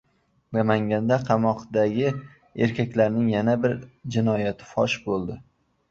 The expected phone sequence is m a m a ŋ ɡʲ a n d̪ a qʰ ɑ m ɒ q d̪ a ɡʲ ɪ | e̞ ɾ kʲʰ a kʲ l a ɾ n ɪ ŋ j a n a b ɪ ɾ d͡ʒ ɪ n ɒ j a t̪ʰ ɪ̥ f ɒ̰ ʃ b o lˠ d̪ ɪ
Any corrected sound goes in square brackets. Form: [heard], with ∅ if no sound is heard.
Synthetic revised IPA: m a m a ŋ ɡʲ a n d̪ a qʰ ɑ m ɒ q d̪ a ɡʲ ɪ | e̞ ɾ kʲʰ a kʲ l a ɾ n ɪ ŋ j a n a b ɪ ɾ d͡ʒ ɪ n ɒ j a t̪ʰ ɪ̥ f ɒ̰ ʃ b o lˠ d̪ ɪ